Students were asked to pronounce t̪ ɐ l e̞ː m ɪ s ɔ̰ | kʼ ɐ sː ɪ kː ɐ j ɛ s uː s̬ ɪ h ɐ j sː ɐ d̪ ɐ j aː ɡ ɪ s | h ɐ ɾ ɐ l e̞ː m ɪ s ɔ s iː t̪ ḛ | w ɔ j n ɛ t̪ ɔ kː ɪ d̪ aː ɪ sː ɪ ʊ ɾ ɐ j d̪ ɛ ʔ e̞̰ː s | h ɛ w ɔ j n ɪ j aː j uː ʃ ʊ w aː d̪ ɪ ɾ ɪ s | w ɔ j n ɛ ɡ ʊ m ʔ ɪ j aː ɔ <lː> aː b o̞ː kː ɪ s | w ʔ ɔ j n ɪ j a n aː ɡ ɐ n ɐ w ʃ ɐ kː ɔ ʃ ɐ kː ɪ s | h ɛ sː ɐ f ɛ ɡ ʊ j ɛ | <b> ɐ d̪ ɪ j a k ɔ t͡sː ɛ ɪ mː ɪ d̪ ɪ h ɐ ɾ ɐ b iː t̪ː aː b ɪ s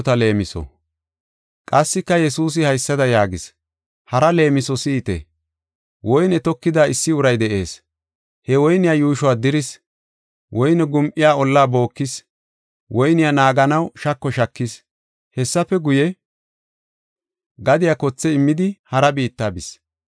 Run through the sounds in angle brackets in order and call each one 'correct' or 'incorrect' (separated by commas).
correct, incorrect